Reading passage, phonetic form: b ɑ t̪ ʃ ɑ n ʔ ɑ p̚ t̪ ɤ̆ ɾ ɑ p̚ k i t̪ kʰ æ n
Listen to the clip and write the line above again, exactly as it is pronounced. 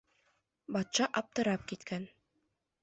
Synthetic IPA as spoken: b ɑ t̪ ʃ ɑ ʔ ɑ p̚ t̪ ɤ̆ ɾ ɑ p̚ k i t̪ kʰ æ n